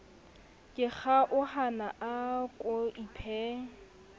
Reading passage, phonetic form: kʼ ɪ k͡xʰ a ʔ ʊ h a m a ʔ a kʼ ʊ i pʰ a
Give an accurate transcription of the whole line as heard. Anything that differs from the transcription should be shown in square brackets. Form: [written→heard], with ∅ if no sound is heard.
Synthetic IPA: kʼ ɪ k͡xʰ a ʔ ʊ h a [m→n] a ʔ a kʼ ʊ i pʰ [a→ɛ]

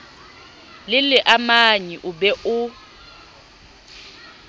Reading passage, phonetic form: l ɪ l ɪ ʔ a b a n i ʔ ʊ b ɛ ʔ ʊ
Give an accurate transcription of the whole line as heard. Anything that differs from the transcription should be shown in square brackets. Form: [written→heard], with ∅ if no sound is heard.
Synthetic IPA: l ɪ l ɪ ʔ a [b→m] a [n→ɲ] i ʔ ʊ b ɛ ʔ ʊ

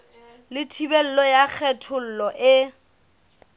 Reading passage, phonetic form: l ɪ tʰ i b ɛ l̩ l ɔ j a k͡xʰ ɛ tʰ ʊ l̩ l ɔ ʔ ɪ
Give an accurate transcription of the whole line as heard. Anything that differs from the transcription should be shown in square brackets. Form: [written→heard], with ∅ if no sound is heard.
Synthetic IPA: l ɪ tʰ i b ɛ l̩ l ɔ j a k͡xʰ ɛ tʰ ʊ l̩ l ɔ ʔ ɪ

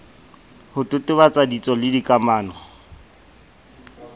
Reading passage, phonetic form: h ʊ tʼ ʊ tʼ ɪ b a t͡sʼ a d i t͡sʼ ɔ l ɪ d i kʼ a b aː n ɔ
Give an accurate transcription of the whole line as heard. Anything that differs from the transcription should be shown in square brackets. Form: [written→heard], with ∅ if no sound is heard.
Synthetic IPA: h ʊ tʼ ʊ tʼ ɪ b a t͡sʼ a d i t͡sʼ ɔ l ɪ d i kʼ a [b→m] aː n ɔ

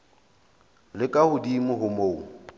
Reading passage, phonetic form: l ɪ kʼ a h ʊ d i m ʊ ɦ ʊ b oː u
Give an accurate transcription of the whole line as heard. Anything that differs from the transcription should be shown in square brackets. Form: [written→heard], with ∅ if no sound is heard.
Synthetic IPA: l ɪ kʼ a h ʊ d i m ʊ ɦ ʊ [b→m] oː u

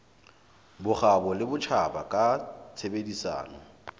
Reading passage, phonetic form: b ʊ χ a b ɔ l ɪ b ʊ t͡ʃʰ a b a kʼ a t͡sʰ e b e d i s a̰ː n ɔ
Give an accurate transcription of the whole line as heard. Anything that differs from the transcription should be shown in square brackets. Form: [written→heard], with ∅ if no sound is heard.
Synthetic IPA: b ʊ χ a b ɔ l ɪ b ʊ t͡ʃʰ a b a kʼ a t͡sʰ e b e d i s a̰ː n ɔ

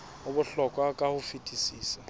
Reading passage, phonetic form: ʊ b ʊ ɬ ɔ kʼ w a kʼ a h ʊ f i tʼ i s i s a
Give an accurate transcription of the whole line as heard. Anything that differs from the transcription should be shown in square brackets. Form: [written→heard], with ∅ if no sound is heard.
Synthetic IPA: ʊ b ʊ ɬ ɔ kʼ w a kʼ a h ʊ f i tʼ i s [i→iː] s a

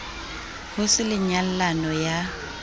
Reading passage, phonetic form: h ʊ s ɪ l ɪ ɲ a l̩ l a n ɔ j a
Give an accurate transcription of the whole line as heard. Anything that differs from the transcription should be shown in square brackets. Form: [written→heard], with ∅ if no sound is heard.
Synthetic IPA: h ʊ s ɪ l ɪ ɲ a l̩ l a n ɔ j a

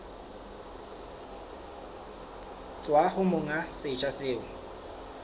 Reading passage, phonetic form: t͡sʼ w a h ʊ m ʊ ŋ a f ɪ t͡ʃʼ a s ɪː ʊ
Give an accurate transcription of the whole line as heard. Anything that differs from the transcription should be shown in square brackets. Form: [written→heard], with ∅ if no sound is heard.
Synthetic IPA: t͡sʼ w a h ʊ m ʊ ŋ a [f→s] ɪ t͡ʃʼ a s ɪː ʊ

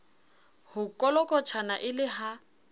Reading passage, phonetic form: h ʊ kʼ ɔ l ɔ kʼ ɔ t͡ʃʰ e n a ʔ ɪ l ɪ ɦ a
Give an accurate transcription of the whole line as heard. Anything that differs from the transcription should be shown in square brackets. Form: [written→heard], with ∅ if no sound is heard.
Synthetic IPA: h ʊ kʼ ɔ l ɔ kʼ ɔ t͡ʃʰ [e→a] n a ʔ ɪ l ɪ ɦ a

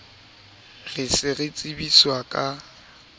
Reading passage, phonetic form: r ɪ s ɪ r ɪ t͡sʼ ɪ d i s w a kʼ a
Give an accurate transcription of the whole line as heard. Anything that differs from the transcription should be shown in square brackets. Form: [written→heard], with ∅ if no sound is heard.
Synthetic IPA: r ɪ s ɪ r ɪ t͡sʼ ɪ [d→b] i s w a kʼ a

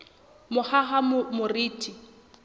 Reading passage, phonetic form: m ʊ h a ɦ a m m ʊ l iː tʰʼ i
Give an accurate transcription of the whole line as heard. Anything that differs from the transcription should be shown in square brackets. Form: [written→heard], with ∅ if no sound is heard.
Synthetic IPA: m ʊ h a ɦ a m m ʊ [l→r] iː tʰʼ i

